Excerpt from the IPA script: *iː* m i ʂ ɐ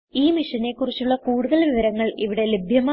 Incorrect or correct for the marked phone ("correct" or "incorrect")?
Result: correct